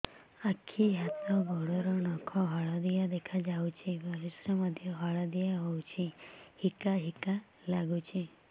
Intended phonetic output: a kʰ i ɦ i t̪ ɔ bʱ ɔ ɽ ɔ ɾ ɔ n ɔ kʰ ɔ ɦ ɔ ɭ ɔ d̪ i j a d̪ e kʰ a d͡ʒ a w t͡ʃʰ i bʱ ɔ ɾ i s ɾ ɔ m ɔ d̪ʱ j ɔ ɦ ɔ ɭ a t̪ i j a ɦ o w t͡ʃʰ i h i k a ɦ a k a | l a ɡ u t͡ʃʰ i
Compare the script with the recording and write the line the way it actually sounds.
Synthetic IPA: a kʰ i ɦ a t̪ ɔ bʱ ɔ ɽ ɔ ɾ ɔ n ɔ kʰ ɔ ɦ ɔ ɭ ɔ d̪ i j a d̪ e kʰ a d͡ʒ a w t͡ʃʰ i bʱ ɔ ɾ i s ɾ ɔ m ɔ d̪ʱ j ɔ ɦ ɔ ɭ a d̪ i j a ɦ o w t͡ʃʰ i h i k a ɦ i k a | l a ɡ u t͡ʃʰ i